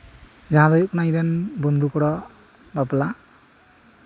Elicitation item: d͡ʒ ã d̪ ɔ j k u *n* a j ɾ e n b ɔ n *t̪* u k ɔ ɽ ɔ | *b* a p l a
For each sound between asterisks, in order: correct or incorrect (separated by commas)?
correct, incorrect, correct